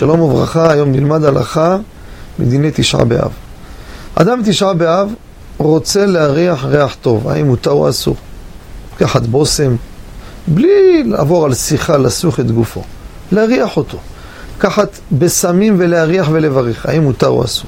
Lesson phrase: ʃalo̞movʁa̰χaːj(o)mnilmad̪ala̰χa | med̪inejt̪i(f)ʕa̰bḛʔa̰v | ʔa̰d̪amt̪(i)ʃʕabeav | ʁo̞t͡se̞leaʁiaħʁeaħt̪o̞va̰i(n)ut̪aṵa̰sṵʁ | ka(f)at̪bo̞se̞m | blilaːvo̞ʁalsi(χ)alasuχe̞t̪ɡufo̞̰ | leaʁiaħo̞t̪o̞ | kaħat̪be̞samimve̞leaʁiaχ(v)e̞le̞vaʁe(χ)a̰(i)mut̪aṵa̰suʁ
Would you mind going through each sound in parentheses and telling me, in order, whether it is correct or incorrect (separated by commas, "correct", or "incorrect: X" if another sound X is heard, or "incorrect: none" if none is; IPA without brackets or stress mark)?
correct, incorrect: ʃ, correct, incorrect: m, incorrect: ħ, correct, correct, correct, correct